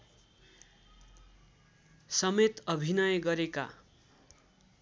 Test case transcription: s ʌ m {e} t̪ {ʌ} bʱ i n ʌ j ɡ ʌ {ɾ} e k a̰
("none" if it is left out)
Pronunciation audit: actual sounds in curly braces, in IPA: e, ʌ, ɾ

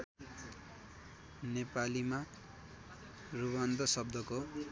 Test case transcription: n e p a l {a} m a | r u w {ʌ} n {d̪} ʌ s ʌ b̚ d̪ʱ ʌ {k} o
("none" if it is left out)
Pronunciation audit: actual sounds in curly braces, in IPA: i, a, d̪, k

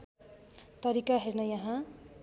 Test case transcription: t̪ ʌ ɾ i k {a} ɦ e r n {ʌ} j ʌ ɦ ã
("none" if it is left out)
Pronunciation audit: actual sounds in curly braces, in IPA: a, ʌ

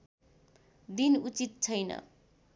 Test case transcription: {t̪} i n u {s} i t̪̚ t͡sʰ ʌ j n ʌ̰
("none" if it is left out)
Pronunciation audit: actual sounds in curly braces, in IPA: d̪, t͡s

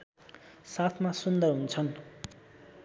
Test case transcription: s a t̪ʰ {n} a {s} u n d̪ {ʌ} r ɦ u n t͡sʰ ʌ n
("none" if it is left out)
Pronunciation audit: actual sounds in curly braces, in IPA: m, s, ʌ

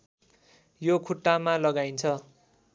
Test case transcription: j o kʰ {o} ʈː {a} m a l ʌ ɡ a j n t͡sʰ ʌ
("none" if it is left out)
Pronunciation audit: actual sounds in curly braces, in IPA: u, a

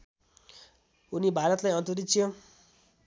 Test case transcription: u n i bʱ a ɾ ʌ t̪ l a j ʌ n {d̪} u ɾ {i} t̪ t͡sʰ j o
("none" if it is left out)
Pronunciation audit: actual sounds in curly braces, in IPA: t̪, i

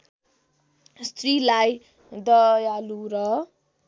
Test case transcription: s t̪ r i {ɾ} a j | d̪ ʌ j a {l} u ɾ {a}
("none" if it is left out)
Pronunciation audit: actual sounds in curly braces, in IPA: l, l, ʌ

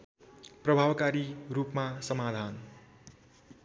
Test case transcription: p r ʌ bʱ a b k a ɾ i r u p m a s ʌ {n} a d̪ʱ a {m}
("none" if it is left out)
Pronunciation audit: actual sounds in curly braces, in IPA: m, n

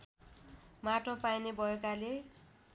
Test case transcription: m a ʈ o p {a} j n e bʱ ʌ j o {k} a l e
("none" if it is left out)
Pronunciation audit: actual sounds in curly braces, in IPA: a, k

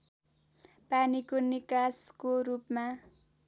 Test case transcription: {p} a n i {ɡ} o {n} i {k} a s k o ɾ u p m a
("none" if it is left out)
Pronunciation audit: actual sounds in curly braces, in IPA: p, k, n, k

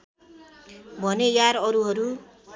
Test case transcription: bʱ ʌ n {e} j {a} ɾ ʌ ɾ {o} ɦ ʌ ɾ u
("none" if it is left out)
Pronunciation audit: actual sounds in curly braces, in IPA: e, a, u

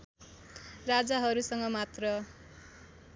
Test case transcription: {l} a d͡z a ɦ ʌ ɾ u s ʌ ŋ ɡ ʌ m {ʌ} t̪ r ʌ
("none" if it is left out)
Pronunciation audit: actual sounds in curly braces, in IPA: r, a

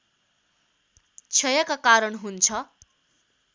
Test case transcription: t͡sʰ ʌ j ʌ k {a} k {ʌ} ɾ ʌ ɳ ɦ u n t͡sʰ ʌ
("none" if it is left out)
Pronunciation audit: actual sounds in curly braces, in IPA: a, a

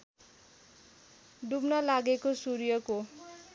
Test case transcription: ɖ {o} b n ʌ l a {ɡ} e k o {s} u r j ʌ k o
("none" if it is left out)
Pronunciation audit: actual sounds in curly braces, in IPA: u, ɡ, s

